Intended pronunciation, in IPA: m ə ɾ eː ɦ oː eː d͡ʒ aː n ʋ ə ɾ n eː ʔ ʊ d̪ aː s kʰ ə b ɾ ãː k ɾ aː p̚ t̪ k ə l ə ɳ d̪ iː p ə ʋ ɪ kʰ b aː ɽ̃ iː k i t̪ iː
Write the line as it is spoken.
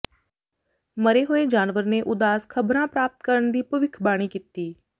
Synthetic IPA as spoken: m ə ɾ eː ɦ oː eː d͡ʒ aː n ʋ ə ɾ n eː ʔ ʊ d̪ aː s kʰ ə b ɾ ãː p ɾ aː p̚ t̪ k ə ɾ ə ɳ d̪ iː p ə ʋ ɪ kʰ b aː ɽ̃ iː k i t̪ iː